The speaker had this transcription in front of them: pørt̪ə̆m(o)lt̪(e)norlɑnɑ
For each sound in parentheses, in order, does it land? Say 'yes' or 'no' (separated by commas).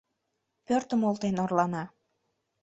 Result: yes, yes